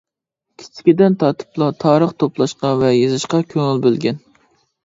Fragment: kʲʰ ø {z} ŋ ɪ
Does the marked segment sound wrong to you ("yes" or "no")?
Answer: yes